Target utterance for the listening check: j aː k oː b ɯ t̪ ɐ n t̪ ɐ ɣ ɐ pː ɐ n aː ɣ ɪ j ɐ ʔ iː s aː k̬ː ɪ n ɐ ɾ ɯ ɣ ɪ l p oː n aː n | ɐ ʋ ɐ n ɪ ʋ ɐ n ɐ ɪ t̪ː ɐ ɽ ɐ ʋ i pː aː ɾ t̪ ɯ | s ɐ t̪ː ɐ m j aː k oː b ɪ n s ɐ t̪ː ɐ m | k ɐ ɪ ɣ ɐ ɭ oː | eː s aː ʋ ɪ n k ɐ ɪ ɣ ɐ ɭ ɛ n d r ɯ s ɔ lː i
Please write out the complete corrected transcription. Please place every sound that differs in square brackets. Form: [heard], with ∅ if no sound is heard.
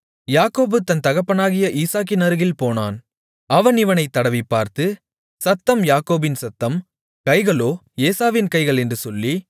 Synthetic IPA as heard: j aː k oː b ɯ t̪ ɐ n t̪ ɐ ɣ ɐ pː ɐ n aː ɣ ɪ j ɐ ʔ iː s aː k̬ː ɪ n ɐ ɾ ɯ ɣ ɪ l p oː n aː n | ɐ ʋ ɐ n ɪ ʋ ɐ n ɐ ɪ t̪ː ɐ ɽ ɐ ʋ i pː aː ɾ t̪ ɯ | s ɐ t̪ː ɐ m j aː k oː b ɪ n s ɐ t̪ː ɐ m | k ɐ ɪ ɣ ɐ ɭ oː | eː s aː ʋ ɪ n k ɐ ɪ ɣ ɐ ɭ ɛ n d r ɯ s ɔ lː i